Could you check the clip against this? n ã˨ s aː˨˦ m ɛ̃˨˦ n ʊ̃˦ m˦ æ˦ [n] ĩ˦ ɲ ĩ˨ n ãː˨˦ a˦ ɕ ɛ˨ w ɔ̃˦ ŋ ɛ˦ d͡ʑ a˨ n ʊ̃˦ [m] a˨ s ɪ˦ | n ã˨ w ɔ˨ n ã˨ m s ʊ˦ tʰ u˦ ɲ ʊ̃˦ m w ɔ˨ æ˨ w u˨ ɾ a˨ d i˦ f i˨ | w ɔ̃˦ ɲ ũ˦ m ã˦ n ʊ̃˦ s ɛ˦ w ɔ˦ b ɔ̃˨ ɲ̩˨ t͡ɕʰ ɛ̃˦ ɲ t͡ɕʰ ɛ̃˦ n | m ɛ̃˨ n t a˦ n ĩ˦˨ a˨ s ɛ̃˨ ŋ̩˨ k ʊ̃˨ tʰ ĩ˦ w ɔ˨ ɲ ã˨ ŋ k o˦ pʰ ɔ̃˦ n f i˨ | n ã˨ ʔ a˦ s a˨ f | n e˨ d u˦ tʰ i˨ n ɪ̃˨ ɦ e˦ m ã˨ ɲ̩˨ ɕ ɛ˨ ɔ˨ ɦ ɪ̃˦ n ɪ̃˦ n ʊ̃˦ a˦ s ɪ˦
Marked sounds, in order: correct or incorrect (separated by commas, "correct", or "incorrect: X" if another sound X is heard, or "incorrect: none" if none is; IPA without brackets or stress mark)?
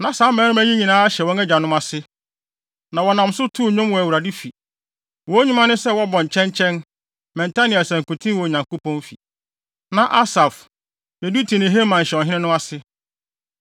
incorrect: ɲ, correct